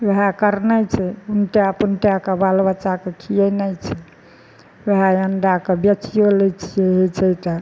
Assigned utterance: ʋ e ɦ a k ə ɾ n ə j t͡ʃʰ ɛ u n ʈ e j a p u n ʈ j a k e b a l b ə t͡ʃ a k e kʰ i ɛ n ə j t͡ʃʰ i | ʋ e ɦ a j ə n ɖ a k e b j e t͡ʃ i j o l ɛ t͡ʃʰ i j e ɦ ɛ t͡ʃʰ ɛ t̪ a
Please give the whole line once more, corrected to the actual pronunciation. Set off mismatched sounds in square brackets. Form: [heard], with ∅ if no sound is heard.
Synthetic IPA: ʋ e ɦ a k ə ɾ n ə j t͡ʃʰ ɛ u n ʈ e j a p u n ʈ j a k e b a l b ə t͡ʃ a k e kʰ i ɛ n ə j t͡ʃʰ [ɛ] | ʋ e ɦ a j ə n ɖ a k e b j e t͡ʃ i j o l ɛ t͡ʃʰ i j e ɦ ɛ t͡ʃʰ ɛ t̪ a